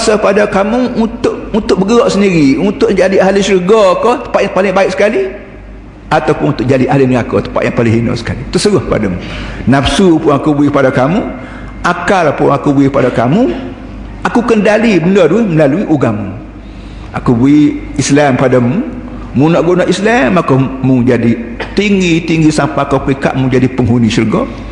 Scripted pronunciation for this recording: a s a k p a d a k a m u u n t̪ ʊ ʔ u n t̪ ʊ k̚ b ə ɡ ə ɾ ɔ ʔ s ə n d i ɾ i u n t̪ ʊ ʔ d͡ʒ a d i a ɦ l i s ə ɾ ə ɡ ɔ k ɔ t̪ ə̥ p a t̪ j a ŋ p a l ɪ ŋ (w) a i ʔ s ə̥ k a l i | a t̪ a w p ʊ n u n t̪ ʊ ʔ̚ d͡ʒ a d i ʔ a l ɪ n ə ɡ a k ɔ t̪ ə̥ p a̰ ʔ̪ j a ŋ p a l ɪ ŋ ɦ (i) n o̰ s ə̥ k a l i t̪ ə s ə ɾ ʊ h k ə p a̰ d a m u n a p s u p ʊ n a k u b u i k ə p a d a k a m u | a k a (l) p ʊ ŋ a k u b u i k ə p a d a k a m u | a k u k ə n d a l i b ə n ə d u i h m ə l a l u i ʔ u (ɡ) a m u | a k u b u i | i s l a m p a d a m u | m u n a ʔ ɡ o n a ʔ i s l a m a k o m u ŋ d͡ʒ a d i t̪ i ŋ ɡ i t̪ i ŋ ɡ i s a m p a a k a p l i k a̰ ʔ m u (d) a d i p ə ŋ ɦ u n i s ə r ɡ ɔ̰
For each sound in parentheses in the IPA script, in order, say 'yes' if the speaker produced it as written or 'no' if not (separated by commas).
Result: no, yes, yes, yes, no